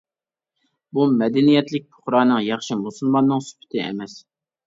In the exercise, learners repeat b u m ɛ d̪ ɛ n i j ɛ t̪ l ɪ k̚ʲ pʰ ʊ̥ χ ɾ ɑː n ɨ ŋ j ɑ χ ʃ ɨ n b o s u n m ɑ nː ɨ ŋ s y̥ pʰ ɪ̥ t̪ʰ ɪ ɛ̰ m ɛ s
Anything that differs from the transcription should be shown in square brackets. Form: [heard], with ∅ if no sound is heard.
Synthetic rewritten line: b u m ɛ d̪ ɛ n i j ɛ t̪ l ɪ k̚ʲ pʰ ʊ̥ χ ɾ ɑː n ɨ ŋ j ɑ χ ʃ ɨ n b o s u n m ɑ nː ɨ ŋ s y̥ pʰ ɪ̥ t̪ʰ ɪ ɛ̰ m ɛ s